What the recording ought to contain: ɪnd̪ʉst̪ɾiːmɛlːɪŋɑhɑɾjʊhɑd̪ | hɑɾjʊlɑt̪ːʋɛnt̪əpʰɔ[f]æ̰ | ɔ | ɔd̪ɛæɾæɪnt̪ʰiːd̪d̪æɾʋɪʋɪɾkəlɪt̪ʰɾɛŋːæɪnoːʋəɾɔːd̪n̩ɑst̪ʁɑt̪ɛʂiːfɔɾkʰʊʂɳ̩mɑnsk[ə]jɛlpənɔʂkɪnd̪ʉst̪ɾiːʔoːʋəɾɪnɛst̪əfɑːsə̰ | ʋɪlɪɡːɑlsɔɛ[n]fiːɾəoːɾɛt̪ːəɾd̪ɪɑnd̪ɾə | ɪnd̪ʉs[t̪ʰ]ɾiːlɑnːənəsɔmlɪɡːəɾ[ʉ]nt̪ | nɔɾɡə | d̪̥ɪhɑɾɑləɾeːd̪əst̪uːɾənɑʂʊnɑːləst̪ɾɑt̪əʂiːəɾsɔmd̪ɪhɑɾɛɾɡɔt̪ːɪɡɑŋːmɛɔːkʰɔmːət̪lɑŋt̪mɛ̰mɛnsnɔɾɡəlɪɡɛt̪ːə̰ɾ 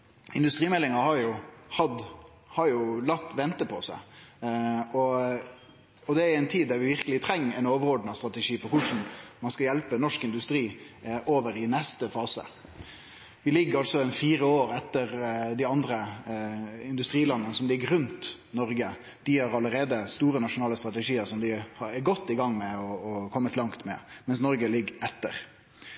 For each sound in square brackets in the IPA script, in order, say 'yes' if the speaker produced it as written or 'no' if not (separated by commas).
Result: no, no, yes, no, yes